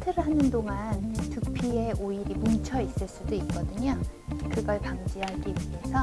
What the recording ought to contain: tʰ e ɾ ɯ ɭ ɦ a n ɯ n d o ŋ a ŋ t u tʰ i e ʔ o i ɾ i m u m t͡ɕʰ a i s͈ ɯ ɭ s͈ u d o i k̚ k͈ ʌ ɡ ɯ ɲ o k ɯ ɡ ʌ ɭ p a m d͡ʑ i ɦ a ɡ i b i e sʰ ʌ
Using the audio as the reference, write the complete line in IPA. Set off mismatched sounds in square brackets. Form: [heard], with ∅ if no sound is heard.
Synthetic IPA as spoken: tʰ e ɾ ɯ ɭ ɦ a n ɯ n d o ŋ a [n] t u [pʰ] i e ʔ o i ɾ i m u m t͡ɕʰ [ʌ] i s͈ ɯ ɭ s͈ u d o i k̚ k͈ ʌ [d] ɯ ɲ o k ɯ ɡ ʌ ɭ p a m d͡ʑ i ɦ a ɡ i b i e sʰ ʌ